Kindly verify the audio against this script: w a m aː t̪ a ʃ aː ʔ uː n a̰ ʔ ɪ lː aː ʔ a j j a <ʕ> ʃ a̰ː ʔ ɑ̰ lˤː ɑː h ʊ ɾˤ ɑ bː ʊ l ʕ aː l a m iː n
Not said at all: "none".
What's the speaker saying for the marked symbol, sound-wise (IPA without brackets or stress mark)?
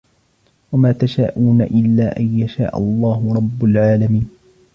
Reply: none